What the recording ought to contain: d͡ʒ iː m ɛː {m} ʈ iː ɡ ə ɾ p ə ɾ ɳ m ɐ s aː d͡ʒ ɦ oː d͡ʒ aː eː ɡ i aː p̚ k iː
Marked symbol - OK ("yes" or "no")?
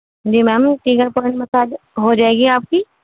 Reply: yes